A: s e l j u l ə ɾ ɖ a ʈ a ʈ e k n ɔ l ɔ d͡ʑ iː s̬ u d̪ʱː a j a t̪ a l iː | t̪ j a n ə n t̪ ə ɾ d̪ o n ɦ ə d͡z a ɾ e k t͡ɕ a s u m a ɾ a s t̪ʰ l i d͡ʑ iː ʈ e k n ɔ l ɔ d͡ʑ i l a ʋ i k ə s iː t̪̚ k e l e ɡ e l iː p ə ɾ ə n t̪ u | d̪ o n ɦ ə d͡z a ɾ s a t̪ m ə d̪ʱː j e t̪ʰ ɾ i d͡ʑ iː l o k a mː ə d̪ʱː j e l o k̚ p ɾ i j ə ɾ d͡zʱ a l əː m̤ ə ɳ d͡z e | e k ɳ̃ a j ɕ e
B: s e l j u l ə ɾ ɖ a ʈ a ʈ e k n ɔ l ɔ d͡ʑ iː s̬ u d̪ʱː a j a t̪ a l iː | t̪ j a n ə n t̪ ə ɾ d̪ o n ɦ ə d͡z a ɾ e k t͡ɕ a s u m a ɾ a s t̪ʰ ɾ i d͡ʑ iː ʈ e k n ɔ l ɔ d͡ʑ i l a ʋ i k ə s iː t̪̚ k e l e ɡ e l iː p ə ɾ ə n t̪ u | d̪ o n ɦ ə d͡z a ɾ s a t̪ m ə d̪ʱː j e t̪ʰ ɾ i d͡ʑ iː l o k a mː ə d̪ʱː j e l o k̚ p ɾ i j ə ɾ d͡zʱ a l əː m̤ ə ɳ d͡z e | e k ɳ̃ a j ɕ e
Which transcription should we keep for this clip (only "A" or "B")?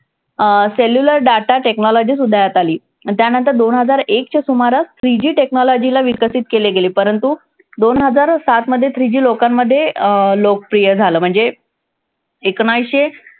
B